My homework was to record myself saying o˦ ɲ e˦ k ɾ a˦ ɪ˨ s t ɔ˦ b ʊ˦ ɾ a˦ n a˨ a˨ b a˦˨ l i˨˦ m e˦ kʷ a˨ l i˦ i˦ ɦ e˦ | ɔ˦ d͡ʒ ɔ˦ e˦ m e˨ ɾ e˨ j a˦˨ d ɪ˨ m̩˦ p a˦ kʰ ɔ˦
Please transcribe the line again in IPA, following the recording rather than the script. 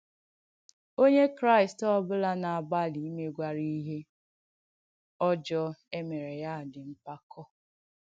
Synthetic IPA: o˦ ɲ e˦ k ɾ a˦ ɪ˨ s t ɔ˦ b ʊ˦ l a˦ n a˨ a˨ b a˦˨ l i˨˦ m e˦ ɡʷ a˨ ɾ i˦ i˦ ɦ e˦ | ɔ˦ d͡ʒ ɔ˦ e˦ m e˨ ɾ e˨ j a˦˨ d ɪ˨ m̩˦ p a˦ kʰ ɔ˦